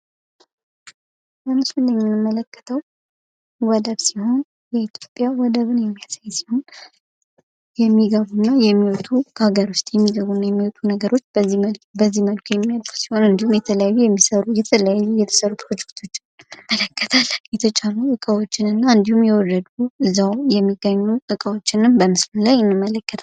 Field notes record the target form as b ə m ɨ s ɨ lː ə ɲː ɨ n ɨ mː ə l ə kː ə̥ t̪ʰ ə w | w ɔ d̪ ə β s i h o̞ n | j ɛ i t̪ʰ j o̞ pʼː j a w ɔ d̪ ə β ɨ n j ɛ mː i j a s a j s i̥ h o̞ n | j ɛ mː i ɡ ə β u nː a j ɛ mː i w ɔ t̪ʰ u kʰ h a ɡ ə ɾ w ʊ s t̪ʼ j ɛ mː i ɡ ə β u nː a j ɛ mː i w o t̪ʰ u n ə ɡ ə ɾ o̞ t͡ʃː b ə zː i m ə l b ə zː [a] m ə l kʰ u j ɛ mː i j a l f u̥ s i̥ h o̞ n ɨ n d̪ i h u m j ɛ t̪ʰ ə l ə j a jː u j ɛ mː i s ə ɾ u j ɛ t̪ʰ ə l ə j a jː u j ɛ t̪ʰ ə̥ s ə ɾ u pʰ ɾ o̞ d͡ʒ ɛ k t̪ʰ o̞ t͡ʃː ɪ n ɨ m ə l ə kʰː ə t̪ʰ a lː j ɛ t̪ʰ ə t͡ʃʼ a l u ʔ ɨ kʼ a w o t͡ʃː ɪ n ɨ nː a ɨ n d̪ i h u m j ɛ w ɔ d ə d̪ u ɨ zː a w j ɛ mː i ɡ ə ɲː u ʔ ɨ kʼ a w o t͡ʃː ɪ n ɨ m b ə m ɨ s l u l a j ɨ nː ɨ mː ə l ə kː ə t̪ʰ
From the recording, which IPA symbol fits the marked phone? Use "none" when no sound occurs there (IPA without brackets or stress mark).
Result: i